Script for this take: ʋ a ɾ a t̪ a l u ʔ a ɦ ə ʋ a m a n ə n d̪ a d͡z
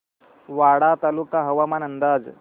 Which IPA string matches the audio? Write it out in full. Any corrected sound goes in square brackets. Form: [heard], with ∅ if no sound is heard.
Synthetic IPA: ʋ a [ɽ] a t̪ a l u [k] a ɦ ə ʋ a m a n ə n d̪ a d͡z